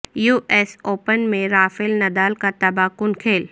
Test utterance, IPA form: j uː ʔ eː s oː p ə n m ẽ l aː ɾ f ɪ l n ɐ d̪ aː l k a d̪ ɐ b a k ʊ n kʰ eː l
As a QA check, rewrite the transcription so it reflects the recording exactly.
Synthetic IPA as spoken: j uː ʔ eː s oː p ə n m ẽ ɾ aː f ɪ l n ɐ d̪ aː l k a t̪ ɐ b a k ʊ n kʰ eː l